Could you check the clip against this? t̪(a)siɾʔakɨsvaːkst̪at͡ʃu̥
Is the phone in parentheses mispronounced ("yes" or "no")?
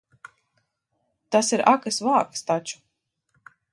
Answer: no